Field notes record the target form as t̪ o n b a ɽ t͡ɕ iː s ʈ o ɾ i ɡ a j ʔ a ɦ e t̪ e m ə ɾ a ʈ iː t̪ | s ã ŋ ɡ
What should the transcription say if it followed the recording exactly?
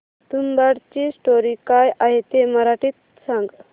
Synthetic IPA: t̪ u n b a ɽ t͡ɕ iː s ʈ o ɾ i k a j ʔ a ɦ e t̪ e m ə ɾ a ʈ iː t̪ | s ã ŋ ɡ